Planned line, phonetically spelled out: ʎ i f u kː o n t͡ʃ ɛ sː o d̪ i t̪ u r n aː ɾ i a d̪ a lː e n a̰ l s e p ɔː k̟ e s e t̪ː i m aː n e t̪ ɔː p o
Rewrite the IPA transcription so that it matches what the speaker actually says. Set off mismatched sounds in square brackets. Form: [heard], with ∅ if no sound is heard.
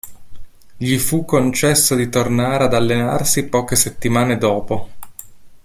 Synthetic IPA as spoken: ʎ i f u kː o n t͡ʃ ɛ sː o d̪ i t̪ [o] r n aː ɾ [e] a d̪ a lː e n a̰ [r] s [i] p ɔː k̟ e s e t̪ː i m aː n e [d̪] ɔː p o